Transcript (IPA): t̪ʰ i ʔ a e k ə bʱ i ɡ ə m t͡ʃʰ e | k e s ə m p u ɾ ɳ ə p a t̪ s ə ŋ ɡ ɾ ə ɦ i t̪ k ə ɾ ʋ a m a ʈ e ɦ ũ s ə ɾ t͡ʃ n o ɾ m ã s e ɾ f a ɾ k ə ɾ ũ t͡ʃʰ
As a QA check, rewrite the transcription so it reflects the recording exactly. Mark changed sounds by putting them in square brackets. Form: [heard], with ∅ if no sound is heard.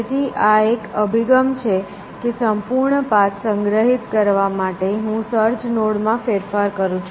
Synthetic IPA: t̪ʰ i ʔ a e k ə bʱ i ɡ ə m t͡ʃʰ e | k e s ə m p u ɾ ɳ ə p a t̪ s ə ŋ ɡ ɾ ə ɦ i t̪ k ə ɾ ʋ a m a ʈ e ɦ ũ s ə ɾ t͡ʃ n o [ɽ] m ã [f] e ɾ f a ɾ k ə ɾ ũ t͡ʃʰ

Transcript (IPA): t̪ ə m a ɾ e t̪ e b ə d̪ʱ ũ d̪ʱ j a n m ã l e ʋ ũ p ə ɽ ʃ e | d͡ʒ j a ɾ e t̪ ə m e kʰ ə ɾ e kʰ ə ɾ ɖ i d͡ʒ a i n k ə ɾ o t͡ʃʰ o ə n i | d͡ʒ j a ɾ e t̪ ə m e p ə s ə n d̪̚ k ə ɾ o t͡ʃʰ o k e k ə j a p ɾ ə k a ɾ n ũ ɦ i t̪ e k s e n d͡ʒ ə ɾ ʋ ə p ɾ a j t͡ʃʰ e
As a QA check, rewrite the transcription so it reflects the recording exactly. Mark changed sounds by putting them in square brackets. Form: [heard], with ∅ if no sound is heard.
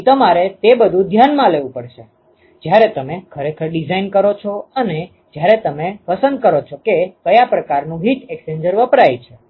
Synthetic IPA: t̪ ə m a ɾ e t̪ e b ə d̪ʱ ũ d̪ʱ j a n m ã l e ʋ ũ p ə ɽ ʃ e | d͡ʒ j a ɾ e t̪ ə m e kʰ ə ɾ e kʰ ə ɾ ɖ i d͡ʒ a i n k ə ɾ o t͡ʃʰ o ə n [e] | d͡ʒ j a ɾ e t̪ ə m e p ə s ə n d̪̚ k ə ɾ o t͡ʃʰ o k e k ə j a p ɾ ə k a ɾ n ũ ɦ i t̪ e k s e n d͡ʒ ə ɾ ʋ ə p ɾ a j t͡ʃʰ e

